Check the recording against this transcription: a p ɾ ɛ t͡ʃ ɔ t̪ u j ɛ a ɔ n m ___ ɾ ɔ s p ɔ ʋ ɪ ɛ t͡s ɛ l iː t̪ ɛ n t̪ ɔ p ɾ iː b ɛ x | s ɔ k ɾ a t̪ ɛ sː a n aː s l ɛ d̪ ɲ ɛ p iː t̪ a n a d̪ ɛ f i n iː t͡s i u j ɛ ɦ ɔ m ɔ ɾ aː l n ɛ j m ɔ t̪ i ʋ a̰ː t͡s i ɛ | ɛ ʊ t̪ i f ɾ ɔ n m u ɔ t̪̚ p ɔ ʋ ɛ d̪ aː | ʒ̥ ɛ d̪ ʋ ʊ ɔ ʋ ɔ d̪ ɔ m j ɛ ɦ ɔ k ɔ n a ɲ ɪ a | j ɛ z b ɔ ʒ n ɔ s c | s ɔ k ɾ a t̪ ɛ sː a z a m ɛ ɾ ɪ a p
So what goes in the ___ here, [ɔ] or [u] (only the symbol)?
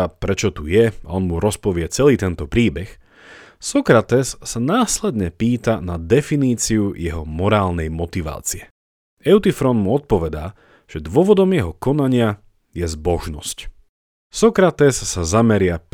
u